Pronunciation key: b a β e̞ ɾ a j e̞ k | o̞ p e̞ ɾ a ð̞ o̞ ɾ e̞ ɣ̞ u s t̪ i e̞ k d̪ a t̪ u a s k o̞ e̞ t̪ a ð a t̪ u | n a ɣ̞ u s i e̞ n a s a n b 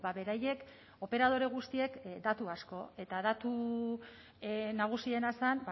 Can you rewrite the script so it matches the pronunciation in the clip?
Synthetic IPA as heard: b a β e̞ ɾ a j e̞ k | o̞ p e̞ ɾ a ð̞ o̞ ɾ e̞ ɣ̞ u s t̪ i e̞ k d̪ a t̪ u a s k o̞ e̞ t̪ a ð a t̪ u | n a ɣ̞ u s i e̞ n a s a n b